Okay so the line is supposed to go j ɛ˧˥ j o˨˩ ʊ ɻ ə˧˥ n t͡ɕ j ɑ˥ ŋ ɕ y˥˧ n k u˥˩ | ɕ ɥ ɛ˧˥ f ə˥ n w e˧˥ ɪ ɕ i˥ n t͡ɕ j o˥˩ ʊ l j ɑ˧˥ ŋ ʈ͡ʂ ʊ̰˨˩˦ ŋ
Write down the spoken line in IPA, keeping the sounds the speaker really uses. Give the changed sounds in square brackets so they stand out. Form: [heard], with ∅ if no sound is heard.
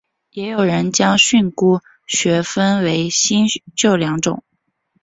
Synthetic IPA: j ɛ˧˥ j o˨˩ ʊ ɻ ə˧˥ n t͡ɕ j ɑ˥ ŋ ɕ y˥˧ n k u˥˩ | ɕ ɥ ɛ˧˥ f ə˥ n w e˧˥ ɪ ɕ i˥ n t͡ɕ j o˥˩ ʊ l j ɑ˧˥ ŋ ʈ͡ʂ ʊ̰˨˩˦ ŋ